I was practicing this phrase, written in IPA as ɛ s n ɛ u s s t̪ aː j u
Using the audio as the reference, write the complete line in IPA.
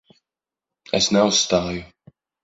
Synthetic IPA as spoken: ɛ s n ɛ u s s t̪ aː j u